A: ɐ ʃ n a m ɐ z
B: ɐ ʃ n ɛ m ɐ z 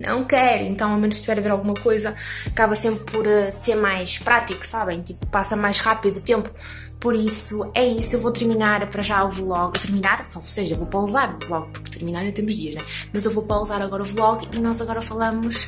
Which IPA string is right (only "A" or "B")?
B